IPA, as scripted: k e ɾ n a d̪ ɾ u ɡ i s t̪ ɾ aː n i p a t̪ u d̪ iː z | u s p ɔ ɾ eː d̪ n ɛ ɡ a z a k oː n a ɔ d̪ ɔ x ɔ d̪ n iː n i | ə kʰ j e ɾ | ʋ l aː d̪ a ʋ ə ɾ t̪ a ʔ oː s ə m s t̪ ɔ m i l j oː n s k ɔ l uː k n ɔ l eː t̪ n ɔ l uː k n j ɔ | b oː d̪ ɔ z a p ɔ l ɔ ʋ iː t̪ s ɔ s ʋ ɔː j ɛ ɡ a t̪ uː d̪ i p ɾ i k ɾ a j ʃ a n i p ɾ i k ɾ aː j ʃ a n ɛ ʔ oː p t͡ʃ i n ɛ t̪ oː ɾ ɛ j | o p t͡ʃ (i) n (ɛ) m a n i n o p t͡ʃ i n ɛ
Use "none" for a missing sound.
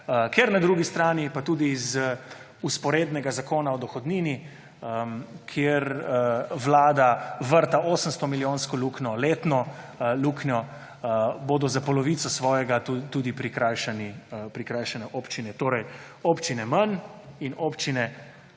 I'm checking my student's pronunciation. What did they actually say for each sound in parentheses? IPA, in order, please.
i, ɛ

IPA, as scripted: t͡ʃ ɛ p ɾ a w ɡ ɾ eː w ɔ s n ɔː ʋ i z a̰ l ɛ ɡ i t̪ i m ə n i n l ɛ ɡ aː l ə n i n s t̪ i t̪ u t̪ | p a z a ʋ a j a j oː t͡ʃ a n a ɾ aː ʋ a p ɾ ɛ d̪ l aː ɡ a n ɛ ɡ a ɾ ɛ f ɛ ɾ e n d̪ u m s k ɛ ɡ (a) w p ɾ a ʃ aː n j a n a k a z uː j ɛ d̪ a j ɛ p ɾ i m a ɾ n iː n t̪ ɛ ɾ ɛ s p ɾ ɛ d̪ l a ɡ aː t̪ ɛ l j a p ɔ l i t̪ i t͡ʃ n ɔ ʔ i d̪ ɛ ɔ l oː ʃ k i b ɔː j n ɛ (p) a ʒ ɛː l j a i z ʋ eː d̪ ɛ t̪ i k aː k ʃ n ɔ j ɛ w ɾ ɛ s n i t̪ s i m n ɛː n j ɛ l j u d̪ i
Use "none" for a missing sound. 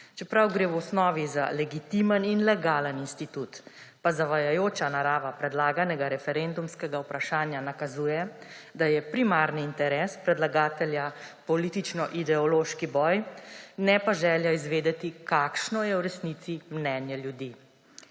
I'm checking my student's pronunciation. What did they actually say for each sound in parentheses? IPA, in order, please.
a, p

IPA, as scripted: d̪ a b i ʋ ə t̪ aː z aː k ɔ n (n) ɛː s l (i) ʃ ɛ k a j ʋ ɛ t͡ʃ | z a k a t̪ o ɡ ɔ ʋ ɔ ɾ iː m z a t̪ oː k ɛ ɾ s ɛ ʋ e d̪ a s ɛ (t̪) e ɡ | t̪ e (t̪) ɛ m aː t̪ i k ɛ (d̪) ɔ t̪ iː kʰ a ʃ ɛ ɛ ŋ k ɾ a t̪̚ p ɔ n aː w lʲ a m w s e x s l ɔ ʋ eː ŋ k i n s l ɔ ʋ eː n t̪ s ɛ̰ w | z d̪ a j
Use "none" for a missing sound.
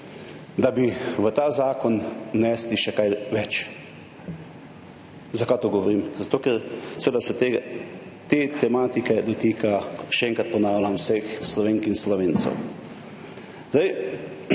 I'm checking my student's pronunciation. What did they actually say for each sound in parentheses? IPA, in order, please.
n, i, t̪, t̪, d̪

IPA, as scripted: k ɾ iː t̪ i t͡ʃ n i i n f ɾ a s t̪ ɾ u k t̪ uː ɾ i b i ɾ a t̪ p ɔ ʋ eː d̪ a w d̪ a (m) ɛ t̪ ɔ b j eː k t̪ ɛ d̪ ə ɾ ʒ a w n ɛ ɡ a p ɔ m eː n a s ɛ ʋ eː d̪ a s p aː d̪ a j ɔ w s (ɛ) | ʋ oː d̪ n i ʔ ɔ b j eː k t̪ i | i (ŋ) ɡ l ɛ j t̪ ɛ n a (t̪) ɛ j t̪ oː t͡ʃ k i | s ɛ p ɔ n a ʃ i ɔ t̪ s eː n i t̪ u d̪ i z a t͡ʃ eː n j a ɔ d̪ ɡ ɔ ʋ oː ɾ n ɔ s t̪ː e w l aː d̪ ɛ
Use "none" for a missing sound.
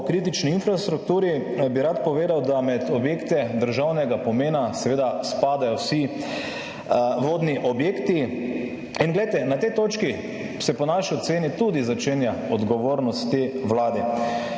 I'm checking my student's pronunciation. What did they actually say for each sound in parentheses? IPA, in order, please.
m, i, n, t̪

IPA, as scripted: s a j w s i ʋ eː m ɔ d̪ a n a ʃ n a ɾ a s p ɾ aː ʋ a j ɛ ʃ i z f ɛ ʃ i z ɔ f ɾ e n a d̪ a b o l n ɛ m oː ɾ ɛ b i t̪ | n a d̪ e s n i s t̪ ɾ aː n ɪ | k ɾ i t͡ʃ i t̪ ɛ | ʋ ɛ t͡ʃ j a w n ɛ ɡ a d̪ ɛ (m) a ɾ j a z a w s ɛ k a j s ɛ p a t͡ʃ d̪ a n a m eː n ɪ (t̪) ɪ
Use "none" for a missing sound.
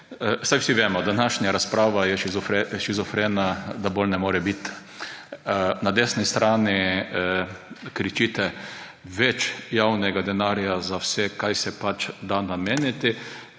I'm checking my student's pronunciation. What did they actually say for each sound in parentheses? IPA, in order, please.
n, t̪

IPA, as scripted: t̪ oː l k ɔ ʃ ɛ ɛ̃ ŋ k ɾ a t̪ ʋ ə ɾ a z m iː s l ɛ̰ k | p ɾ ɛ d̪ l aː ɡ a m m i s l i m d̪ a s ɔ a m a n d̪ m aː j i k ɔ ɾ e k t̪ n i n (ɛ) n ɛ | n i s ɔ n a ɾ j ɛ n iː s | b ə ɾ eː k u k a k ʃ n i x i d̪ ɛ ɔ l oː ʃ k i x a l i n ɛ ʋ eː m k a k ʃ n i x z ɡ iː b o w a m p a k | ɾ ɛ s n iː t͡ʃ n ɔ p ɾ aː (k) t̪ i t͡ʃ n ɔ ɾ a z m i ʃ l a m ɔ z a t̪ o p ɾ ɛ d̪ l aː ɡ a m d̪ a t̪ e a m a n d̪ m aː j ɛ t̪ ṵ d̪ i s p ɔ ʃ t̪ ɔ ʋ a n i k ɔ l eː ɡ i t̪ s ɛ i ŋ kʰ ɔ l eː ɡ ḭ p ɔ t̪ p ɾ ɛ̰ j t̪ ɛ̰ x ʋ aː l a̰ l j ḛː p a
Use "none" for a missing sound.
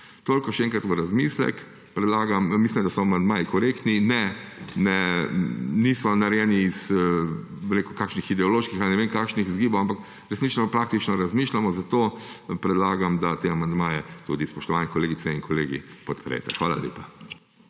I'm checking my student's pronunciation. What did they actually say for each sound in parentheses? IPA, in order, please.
ɛ, k

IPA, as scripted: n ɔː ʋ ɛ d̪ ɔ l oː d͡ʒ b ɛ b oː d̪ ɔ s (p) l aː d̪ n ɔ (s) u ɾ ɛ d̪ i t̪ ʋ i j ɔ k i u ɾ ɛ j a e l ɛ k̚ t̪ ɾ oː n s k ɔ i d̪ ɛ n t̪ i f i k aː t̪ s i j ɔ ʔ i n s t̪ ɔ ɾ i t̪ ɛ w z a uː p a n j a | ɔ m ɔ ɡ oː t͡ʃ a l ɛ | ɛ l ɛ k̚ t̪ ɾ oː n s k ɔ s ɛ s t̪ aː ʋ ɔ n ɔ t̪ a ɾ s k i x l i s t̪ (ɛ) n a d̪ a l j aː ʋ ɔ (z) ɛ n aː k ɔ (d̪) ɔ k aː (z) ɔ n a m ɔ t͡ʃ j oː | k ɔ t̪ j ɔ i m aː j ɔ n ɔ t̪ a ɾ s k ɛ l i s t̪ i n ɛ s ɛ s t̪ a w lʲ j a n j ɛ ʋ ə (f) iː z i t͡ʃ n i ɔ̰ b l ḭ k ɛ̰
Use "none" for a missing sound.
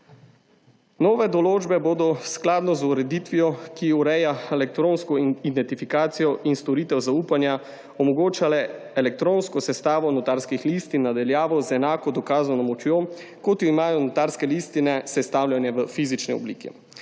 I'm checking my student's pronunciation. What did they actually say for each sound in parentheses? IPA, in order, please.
k, z, i, z, d̪, z, f

